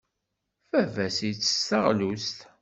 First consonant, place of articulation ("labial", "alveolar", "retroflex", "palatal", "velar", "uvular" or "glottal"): labial